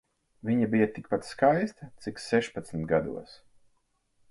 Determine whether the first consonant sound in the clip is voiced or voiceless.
voiced